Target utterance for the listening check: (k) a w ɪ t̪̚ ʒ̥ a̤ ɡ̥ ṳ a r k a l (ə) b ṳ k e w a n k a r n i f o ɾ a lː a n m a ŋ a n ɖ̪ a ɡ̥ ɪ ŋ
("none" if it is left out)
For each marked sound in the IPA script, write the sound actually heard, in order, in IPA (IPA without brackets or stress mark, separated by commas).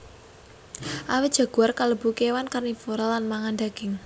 ʔ, ə